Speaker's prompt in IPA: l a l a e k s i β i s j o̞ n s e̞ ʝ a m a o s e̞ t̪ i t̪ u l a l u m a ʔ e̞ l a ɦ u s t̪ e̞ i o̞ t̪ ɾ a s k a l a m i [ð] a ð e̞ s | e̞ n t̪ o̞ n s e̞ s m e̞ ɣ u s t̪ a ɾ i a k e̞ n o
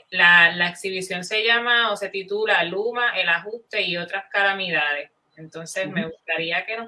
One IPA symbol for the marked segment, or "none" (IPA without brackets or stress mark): ð